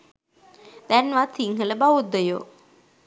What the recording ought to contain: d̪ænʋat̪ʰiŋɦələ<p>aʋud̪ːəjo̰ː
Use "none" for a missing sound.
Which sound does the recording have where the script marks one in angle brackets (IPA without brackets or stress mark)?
b